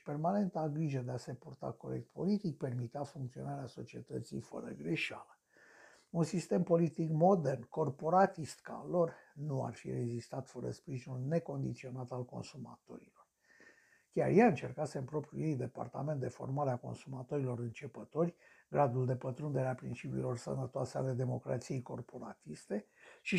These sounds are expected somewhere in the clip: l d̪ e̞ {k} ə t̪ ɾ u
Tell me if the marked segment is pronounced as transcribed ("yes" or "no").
no